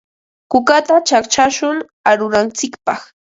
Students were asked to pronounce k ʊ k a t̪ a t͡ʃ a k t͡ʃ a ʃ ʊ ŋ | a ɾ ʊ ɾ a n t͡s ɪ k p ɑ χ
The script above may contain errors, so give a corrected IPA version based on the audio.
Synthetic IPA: k ʊ k a t̪ a t͡ʃ a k t͡ʃ a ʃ ʊ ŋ | a ɾ ʊ ɾ a n t͡s ɪ k p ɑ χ